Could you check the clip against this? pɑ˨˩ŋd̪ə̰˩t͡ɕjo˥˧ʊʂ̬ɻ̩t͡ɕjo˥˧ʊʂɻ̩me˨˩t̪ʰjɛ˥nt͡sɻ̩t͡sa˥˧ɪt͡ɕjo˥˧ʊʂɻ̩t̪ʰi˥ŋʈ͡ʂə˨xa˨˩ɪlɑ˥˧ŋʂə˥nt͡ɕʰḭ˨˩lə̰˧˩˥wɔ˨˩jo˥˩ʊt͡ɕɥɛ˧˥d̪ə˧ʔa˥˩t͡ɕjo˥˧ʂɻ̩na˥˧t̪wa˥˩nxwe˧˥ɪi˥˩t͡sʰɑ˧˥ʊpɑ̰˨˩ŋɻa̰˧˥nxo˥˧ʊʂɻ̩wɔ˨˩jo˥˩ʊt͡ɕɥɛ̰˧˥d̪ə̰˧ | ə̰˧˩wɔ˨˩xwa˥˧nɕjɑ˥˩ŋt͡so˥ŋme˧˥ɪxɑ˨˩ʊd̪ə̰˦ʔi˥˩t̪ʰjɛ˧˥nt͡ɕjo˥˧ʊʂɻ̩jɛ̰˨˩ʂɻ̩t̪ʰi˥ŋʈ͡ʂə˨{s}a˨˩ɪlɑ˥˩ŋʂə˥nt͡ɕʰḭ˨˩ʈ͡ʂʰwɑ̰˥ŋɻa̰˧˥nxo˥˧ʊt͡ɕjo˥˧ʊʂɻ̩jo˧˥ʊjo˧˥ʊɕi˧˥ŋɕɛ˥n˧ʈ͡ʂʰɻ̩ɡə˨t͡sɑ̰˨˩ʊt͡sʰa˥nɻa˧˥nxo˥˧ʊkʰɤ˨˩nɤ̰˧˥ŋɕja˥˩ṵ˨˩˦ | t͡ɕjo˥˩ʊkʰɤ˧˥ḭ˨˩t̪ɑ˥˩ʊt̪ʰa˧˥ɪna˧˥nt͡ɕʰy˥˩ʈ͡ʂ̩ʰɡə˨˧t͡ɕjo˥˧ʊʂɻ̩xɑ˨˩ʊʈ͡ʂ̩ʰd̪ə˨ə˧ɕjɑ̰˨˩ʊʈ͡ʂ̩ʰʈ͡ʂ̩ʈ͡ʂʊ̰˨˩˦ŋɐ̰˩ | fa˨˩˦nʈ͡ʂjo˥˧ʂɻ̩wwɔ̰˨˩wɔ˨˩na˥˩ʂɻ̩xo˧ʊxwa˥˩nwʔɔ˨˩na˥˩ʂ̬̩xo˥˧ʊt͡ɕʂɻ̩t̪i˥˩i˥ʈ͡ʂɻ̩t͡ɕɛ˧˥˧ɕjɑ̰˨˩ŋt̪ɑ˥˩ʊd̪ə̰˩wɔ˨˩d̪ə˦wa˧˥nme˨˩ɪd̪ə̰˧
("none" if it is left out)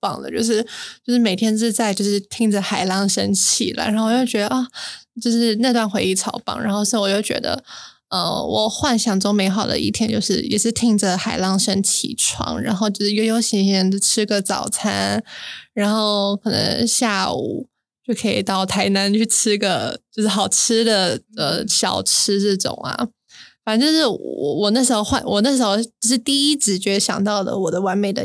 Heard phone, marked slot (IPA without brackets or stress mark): x